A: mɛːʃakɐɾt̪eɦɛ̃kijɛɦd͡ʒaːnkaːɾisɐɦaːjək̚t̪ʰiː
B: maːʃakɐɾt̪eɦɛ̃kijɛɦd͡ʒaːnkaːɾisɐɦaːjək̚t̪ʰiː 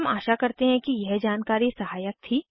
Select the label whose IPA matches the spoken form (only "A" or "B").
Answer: B